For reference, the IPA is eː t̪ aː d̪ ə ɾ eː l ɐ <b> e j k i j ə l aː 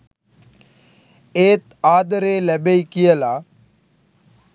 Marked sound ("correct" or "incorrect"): correct